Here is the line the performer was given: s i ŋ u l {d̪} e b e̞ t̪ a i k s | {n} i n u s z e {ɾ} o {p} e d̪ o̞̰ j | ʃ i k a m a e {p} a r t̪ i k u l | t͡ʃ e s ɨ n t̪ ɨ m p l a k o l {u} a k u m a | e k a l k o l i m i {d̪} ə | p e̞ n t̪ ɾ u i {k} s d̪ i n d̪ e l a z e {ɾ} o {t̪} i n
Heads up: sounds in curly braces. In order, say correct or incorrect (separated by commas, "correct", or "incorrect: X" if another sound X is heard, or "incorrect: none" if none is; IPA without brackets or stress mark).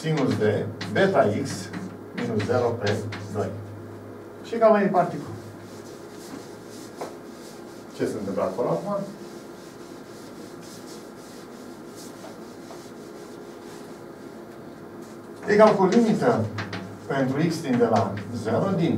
correct, incorrect: m, correct, correct, correct, incorrect: o, incorrect: t̪, correct, correct, incorrect: d̪